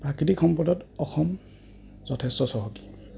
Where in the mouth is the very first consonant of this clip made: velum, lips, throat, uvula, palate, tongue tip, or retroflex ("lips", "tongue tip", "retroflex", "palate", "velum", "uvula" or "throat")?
lips